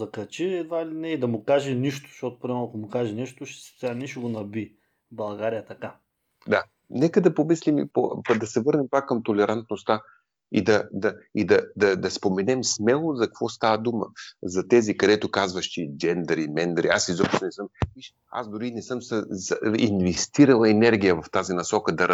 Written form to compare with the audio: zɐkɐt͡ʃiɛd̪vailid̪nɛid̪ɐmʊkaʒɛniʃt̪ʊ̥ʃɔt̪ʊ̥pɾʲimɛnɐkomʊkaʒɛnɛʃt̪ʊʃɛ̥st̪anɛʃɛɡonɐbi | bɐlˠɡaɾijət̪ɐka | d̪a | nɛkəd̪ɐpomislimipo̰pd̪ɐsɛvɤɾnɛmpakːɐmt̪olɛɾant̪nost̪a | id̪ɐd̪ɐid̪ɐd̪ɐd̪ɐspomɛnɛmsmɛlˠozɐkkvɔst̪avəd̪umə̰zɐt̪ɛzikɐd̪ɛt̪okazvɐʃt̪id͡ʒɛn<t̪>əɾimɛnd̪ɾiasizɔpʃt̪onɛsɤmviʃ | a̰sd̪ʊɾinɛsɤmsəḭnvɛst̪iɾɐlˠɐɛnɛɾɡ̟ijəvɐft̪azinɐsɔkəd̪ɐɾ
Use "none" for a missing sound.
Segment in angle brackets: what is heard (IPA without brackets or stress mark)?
d̪